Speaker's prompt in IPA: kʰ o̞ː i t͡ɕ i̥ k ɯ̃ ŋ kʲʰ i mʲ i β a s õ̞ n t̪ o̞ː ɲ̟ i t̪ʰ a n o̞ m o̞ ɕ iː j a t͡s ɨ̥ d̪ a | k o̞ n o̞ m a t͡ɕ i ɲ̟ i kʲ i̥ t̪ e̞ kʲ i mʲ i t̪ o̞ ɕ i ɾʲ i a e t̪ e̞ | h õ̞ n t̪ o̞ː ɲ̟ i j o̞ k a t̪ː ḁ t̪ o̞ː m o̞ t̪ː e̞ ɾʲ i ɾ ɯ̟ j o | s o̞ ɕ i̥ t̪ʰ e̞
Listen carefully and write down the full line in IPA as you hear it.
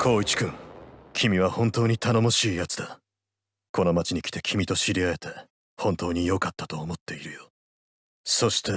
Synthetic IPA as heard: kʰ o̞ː i t͡ɕ i̥ k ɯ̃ ŋ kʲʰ i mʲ i β a h õ̞ n t̪ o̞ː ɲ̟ i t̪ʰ a n o̞ m o̞ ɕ iː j a t͡s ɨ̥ d̪ a | k o̞ n o̞ m a t͡ɕ i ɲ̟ i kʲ i̥ t̪ e̞ kʲ i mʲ i t̪ o̞ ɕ i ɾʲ i a e t̪ e̞ | h õ̞ n t̪ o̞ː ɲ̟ i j o̞ k a t̪ː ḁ t̪ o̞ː m o̞ t̪ː e̞ i ɾ ɯ̟ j o | s o̞ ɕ i̥ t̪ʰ e̞